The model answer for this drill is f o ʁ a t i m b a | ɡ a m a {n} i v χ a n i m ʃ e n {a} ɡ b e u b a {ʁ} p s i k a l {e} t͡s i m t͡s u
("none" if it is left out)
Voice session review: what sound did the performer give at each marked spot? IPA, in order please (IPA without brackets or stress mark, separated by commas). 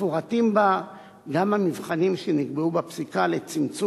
m, i, none, e